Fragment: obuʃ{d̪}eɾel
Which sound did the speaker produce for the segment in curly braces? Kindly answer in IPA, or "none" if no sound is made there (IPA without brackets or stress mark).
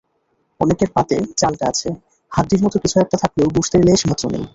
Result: t̪